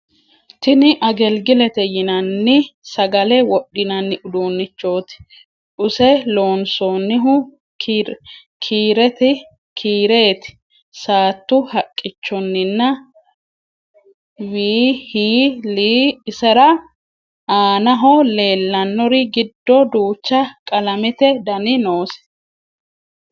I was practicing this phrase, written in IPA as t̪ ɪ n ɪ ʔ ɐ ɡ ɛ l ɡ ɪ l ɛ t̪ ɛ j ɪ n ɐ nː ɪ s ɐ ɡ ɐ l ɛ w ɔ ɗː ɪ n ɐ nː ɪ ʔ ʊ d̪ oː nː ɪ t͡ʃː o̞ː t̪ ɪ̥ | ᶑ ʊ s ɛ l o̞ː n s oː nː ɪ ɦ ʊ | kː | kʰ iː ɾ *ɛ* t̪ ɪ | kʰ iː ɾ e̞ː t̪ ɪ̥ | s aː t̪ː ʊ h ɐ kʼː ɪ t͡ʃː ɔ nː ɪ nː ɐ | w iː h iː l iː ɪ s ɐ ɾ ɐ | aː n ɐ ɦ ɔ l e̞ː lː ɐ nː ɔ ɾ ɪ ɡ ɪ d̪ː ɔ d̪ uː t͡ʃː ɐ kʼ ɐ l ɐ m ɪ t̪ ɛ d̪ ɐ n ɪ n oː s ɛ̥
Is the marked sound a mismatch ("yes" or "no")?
no